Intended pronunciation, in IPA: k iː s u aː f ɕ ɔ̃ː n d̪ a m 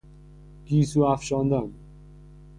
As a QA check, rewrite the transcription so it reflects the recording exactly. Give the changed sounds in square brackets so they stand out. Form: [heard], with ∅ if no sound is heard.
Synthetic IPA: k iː s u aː f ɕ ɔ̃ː n d̪ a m